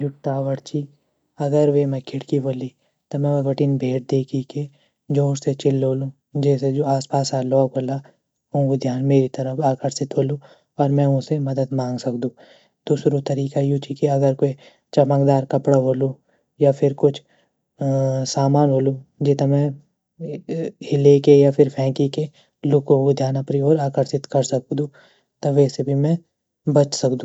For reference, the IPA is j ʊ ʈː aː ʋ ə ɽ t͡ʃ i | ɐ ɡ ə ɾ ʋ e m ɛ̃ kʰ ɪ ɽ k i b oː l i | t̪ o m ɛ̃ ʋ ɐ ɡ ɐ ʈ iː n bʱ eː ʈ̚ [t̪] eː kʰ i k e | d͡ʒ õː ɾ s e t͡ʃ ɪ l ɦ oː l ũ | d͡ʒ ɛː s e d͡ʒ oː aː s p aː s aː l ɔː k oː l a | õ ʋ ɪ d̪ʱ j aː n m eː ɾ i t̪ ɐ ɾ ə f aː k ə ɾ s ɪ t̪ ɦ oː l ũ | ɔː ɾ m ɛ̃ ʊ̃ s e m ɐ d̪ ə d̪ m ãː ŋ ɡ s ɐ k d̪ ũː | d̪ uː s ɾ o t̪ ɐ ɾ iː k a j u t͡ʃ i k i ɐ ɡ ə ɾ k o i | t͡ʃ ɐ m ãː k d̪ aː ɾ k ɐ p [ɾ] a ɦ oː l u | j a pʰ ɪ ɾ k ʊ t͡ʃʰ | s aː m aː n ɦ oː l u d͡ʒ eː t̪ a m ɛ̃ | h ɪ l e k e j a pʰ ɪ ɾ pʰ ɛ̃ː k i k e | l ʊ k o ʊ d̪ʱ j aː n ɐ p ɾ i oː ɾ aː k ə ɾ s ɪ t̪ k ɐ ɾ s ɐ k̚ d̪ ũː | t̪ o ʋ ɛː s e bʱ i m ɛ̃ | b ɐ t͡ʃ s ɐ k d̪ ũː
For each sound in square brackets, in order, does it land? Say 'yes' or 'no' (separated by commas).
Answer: no, no